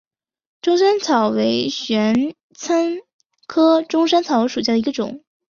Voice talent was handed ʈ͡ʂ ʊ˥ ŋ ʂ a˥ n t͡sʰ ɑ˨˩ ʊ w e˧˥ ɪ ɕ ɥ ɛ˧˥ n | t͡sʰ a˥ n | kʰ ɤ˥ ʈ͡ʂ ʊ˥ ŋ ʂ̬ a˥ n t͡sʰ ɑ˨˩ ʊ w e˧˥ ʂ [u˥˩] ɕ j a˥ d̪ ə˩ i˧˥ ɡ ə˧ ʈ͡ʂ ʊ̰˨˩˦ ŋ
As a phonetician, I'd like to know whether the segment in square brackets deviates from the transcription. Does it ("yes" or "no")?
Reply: yes